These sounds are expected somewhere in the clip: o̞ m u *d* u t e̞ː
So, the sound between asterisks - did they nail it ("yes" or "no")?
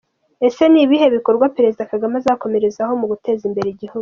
no